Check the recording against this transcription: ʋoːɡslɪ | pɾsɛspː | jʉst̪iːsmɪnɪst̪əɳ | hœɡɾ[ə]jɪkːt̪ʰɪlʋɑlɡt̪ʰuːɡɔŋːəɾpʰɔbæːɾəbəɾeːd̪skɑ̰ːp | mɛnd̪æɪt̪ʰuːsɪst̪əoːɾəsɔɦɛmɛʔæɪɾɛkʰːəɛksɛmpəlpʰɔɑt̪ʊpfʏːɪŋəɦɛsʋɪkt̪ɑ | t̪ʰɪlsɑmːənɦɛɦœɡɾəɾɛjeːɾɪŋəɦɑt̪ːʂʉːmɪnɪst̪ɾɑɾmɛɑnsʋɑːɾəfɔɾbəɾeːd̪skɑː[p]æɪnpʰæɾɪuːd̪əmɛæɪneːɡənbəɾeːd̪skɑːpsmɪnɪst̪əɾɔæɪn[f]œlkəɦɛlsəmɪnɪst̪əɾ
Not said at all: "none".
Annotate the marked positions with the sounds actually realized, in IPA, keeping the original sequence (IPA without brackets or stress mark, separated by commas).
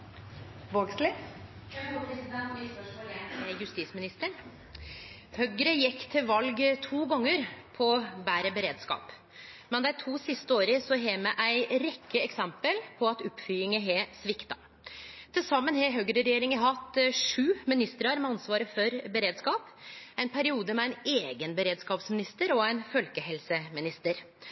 ə, p, f